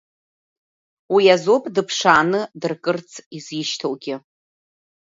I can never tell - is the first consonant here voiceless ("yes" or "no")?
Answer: no